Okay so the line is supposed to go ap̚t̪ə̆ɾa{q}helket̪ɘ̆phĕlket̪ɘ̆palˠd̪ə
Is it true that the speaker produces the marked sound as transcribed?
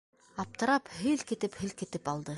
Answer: no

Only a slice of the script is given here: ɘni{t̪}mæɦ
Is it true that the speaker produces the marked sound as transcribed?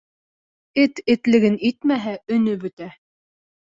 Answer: yes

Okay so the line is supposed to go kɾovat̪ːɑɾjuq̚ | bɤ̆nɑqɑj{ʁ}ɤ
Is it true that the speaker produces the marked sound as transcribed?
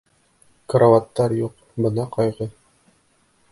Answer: yes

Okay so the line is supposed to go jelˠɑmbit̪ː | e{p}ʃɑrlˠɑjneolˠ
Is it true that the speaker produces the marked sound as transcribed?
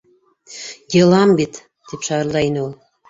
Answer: yes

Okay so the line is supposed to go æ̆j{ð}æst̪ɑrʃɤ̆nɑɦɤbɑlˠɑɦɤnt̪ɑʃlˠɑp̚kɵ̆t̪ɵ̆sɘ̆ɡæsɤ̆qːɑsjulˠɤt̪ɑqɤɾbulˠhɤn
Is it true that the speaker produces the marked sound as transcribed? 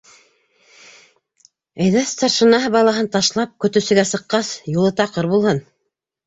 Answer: yes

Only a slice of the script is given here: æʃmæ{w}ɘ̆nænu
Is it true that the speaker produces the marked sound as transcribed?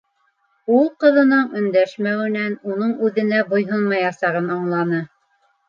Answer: yes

